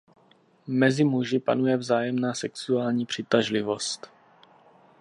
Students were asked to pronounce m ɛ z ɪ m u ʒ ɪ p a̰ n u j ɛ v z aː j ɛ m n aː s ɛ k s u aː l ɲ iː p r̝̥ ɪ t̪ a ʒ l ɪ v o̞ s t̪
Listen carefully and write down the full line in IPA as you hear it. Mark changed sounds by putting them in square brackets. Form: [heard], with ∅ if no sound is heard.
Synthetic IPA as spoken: m ɛ z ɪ m u ʒ ɪ p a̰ n u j ɛ v z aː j ɛ m n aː s ɛ k s u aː l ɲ iː p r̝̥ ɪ t̪ a ʒ l ɪ v o̞ s t̪